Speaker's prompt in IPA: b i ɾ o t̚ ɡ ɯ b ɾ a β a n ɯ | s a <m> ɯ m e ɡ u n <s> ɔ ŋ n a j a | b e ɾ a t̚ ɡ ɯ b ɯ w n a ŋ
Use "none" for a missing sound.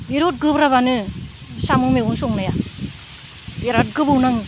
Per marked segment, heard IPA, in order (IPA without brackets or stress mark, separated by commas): m, s